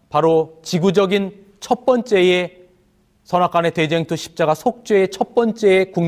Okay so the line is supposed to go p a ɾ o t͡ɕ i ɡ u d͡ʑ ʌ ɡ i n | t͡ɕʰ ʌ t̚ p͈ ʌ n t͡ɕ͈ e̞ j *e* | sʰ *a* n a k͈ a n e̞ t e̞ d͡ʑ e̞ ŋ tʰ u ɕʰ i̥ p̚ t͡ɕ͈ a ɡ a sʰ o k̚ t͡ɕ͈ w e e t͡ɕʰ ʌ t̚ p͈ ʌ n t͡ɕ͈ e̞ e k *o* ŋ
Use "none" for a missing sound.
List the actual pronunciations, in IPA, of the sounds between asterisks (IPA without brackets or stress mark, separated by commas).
e, ʌ, u